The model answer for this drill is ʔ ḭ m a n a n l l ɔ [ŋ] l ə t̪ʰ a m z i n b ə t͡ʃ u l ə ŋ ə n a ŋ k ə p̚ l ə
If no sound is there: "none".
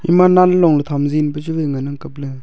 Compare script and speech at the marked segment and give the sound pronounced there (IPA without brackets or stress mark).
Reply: ŋ